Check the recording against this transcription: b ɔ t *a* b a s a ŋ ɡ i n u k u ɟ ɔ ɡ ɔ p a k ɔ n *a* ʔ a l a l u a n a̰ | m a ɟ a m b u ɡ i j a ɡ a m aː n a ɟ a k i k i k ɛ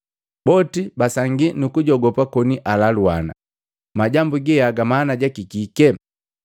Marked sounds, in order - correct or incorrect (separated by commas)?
incorrect, incorrect